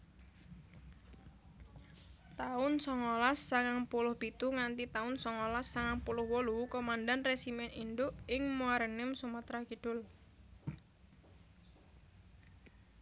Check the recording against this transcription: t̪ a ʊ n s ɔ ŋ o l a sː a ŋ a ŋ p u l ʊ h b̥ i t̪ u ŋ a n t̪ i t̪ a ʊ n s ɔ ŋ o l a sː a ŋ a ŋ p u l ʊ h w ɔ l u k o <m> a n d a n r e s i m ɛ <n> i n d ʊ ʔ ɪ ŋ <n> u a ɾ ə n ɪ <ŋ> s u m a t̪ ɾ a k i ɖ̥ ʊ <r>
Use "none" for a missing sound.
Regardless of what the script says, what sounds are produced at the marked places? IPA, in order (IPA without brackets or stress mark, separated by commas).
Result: m, n, m, m, l